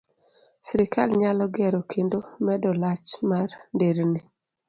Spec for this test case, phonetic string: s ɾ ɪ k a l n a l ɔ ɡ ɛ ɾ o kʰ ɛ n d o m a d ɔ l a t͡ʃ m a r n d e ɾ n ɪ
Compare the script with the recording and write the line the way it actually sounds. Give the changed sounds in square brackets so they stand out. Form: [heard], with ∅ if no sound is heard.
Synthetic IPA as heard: s ɾ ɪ k a l [ɲ] a l ɔ ɡ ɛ ɾ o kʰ [e] n d o m [ɛ] d ɔ l a t͡ʃ m a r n d e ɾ n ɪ